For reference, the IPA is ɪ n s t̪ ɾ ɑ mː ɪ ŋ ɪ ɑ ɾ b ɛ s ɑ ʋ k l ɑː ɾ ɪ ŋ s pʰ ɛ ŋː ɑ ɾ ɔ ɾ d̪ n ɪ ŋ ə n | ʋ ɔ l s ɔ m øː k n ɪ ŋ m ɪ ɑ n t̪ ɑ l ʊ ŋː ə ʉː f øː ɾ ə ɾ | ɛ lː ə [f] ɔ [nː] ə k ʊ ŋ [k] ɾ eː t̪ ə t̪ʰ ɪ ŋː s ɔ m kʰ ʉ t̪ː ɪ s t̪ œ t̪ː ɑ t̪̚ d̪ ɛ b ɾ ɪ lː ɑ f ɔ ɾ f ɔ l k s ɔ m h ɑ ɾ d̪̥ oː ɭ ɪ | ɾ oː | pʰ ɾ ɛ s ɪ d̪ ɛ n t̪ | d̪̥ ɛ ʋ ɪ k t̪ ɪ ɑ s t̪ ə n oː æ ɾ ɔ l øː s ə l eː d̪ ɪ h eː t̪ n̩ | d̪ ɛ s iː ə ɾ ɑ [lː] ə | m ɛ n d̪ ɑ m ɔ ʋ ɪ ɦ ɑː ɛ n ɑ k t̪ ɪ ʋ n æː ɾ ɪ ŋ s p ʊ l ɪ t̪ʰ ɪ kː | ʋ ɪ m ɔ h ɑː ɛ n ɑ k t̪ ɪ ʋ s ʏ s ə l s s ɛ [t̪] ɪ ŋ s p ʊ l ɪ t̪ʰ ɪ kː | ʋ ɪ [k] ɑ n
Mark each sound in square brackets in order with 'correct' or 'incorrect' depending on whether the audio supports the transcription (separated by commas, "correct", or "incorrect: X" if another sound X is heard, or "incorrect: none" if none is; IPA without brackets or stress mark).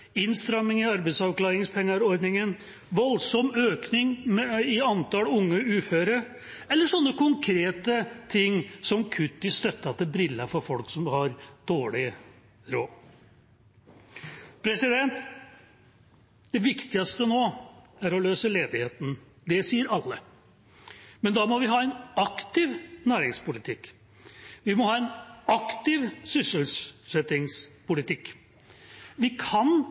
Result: incorrect: ʂ, correct, incorrect: kʰ, correct, correct, incorrect: kʰ